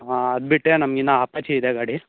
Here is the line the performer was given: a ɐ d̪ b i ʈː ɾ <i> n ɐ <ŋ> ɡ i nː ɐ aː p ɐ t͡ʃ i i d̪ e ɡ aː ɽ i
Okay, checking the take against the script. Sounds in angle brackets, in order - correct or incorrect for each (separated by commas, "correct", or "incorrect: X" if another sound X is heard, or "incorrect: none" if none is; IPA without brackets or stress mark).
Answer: incorrect: e, incorrect: m